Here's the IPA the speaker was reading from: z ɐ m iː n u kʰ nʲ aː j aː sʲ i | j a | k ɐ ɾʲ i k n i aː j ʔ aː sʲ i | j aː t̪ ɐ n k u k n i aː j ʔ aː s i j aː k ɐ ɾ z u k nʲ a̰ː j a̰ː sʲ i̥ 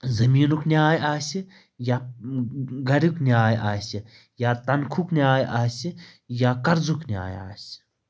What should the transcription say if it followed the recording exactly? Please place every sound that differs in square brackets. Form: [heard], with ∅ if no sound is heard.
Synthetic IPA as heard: z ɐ m iː n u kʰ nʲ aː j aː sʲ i | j a | [ɡ] ɐ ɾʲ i k n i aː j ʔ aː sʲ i | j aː t̪ ɐ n [kʰ] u k n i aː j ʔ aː s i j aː k ɐ ɾ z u k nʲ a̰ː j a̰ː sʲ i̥